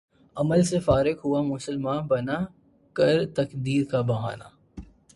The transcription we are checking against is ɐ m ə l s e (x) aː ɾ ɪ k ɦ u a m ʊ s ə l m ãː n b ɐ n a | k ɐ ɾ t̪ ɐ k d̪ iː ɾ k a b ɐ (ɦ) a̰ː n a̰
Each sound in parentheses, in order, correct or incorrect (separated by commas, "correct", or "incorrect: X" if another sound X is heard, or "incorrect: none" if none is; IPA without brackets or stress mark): incorrect: f, correct